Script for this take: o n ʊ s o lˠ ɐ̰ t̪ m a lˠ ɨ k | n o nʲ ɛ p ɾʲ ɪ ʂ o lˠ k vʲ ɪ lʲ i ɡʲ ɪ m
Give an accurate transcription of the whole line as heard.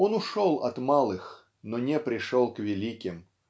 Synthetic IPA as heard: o n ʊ ʂ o lˠ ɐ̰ t̪ m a lˠ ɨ x | n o nʲ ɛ p ɾʲ ɪ ʂ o lˠ k vʲ ɪ lʲ i kʲ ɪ m